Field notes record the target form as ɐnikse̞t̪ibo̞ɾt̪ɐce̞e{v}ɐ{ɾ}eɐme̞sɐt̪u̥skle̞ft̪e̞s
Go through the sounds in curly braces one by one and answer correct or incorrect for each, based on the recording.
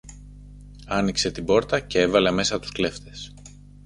correct, incorrect

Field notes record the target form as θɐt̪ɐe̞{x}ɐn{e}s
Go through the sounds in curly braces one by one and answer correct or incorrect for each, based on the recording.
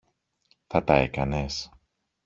incorrect, correct

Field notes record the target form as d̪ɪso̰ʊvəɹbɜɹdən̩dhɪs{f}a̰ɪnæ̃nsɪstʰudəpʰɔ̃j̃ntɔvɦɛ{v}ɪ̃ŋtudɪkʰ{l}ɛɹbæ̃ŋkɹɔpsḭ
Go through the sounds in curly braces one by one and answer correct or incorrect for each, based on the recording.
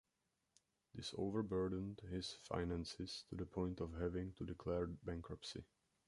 correct, correct, correct

